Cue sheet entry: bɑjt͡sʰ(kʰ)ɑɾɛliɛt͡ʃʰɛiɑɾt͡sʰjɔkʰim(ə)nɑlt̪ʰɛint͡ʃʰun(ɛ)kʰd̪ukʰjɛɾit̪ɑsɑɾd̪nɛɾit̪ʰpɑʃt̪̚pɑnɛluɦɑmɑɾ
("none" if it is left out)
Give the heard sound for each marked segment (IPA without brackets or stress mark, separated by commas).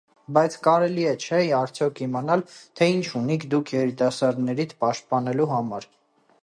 k, ɑ, i